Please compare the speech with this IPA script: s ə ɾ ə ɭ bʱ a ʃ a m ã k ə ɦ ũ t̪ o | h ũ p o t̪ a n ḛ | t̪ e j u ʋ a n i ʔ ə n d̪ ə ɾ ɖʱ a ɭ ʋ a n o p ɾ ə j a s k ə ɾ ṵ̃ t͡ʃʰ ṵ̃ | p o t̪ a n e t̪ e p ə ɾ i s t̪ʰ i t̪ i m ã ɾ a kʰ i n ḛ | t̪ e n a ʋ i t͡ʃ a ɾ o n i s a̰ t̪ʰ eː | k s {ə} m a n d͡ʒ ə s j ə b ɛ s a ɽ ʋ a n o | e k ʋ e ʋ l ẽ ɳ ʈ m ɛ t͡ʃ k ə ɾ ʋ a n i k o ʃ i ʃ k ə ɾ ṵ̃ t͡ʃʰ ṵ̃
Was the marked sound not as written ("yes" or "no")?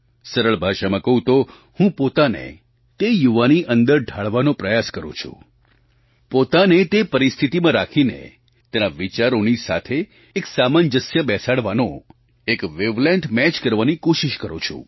yes